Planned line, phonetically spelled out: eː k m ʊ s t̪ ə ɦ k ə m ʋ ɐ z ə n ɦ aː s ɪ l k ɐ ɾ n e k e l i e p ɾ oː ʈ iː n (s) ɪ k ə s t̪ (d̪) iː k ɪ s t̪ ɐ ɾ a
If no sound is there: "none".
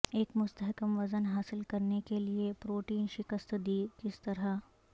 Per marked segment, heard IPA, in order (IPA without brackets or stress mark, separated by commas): ʃ, d̪